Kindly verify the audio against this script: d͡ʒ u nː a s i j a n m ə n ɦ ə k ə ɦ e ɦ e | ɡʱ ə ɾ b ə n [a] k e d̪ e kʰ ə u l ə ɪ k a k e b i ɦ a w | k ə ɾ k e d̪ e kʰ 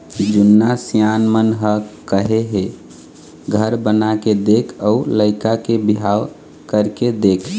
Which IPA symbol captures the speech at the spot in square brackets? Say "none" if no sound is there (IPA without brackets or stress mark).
a